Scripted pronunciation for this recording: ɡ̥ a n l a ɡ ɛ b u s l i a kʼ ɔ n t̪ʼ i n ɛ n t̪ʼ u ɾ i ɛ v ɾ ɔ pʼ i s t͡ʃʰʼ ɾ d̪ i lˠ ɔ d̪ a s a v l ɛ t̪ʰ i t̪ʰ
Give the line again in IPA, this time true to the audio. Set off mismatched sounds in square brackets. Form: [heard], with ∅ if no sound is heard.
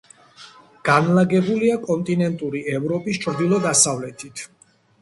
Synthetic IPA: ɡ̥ a n l a ɡ ɛ b u [∅] l i a kʼ ɔ n t̪ʼ i n ɛ n t̪ʼ u ɾ i ɛ v ɾ ɔ pʼ i s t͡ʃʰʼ ɾ d̪ i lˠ ɔ d̪ a s a v l ɛ t̪ʰ i t̪ʰ